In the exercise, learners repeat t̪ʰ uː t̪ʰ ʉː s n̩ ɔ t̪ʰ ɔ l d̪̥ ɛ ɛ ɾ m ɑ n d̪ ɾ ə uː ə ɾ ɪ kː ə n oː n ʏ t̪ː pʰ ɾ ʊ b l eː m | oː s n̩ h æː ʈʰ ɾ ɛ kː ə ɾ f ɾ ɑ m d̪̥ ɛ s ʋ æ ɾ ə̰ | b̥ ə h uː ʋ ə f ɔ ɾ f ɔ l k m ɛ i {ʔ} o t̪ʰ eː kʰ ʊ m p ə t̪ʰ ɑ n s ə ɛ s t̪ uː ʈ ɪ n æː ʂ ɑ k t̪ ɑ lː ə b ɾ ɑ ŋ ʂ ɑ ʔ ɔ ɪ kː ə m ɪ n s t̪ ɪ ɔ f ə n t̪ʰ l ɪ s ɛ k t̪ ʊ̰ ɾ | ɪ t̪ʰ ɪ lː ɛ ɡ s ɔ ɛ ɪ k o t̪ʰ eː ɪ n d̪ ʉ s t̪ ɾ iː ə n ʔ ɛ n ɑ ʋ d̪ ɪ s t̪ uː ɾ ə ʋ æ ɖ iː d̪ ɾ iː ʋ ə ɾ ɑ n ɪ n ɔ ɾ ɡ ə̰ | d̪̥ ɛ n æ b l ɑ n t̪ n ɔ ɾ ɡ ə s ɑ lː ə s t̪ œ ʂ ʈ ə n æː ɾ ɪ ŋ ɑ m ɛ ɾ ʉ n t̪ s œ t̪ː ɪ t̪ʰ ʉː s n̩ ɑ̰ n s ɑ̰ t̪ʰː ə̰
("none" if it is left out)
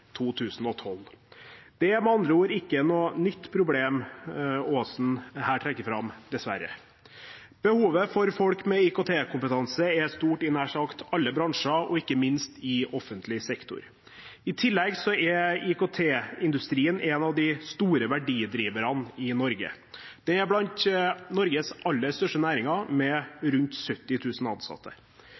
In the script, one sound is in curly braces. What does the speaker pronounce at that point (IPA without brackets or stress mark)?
k